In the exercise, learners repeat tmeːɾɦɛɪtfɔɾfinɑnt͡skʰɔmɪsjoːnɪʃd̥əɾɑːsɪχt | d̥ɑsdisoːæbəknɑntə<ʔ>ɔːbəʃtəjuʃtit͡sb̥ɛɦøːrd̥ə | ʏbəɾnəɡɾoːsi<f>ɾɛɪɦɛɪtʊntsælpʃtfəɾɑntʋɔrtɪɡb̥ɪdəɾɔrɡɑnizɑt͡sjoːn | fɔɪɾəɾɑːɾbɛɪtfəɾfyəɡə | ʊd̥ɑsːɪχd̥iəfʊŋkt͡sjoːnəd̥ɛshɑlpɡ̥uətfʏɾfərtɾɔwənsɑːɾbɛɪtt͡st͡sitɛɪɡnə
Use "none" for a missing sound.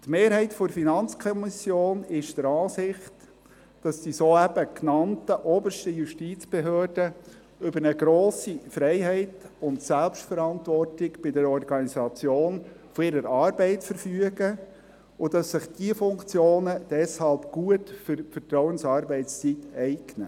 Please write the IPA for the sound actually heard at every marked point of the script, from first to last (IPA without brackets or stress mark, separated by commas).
ʔ, f